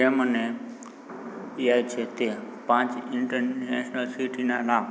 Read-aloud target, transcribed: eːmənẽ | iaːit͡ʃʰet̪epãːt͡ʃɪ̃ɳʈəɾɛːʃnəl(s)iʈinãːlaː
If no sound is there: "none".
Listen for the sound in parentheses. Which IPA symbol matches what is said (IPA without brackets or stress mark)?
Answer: s